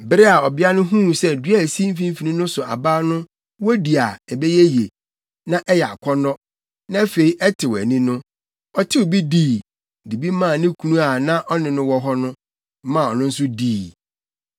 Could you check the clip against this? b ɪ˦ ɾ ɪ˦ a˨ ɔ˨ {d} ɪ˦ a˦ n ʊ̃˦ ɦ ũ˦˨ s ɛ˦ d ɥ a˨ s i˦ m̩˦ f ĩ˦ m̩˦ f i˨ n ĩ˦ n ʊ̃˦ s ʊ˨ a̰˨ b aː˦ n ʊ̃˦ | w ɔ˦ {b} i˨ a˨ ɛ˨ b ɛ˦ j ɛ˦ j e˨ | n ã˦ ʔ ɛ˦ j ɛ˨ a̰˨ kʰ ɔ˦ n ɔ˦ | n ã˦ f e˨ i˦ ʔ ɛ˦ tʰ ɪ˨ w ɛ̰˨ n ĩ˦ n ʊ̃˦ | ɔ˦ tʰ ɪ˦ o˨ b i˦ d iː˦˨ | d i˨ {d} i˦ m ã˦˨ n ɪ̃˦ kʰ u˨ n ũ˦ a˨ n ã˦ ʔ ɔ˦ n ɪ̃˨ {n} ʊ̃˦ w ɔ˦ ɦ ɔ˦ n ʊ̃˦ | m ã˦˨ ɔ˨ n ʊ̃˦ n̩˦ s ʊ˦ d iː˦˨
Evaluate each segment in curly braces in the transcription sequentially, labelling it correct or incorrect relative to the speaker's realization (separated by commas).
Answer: incorrect, incorrect, incorrect, correct